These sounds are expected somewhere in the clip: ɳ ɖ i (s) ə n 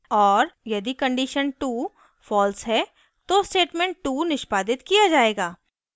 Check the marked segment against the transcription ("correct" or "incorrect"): incorrect